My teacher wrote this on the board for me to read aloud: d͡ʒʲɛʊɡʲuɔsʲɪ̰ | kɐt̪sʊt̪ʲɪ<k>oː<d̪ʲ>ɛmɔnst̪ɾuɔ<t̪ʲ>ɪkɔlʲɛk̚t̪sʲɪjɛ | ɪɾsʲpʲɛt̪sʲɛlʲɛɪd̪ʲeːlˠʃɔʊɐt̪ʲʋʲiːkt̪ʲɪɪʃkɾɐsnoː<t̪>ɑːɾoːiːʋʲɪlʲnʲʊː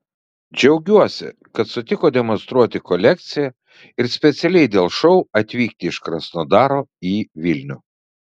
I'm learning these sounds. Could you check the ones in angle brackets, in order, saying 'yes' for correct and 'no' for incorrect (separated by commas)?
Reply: yes, yes, yes, no